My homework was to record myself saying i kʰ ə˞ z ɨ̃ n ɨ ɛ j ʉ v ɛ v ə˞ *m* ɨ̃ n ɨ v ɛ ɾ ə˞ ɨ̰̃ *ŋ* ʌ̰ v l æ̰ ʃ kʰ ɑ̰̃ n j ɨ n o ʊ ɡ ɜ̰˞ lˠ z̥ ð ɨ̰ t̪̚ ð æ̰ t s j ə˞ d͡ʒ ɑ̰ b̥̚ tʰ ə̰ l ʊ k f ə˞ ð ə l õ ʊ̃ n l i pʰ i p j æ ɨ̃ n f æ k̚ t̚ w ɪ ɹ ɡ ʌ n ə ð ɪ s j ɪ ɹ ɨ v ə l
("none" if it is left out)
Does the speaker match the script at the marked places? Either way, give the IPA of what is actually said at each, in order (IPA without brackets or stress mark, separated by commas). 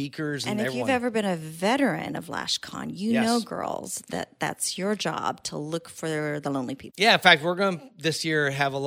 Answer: b, n